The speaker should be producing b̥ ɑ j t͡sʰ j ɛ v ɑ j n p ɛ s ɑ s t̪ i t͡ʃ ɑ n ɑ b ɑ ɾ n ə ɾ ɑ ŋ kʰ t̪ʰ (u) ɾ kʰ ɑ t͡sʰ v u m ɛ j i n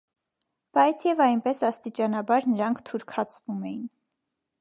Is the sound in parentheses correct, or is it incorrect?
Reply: correct